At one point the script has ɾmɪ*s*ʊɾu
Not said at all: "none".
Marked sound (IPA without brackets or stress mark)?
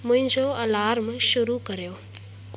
ʃ